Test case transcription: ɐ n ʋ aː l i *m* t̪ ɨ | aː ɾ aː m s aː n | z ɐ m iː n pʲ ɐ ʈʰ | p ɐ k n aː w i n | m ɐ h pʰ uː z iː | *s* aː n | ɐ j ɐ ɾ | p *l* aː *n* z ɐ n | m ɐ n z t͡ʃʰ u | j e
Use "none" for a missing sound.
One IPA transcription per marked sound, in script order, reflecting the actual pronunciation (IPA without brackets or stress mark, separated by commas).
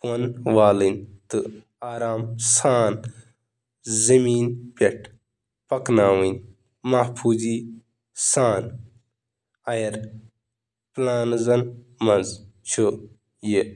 n, s, l, n